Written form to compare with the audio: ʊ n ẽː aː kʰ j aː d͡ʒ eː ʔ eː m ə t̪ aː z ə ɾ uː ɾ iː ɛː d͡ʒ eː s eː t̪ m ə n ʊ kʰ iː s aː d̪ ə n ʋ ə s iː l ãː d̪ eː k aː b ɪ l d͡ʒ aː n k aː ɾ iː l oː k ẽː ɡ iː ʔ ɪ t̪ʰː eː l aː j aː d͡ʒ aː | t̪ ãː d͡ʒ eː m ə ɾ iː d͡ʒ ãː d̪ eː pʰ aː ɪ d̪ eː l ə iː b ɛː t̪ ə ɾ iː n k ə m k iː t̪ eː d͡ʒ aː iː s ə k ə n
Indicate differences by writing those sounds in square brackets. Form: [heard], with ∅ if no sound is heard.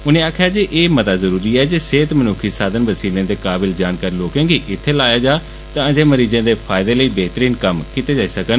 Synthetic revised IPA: ʊ n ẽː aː kʰ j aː d͡ʒ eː ʔ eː m ə t̪ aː z ə ɾ uː ɾ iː ɛː d͡ʒ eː s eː t̪ m ə n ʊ kʰ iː s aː d̪ ə n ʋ ə s iː l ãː d̪ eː k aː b ɪ l d͡ʒ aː n k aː ɾ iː l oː k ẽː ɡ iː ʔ ɪ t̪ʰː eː l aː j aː d͡ʒ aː | t̪ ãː d͡ʒ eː m ə ɾ iː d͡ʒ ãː d̪ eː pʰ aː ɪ d̪ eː l ə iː b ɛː t̪ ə ɾ iː n k ə m k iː t̪ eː d͡ʒ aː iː s ə k ə n